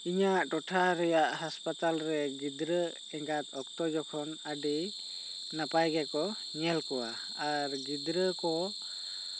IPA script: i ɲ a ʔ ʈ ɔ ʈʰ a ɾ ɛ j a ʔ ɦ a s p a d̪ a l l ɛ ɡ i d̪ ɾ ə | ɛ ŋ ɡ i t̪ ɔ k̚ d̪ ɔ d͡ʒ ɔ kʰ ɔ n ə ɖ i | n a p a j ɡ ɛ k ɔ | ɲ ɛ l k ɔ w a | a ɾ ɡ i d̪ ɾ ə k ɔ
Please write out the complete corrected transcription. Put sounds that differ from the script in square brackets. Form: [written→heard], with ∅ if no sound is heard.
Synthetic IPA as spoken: i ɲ a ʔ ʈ ɔ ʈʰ a ɾ ɛ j a ʔ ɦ a s p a [d̪→t̪] a l [l→ɾ] ɛ ɡ i d̪ ɾ ə | ɛ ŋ ɡ [i→a] t̪ ɔ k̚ [d̪→t̪] ɔ d͡ʒ ɔ kʰ ɔ n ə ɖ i | n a p a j ɡ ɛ k ɔ | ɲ ɛ l k ɔ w a | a ɾ ɡ i d̪ ɾ ə k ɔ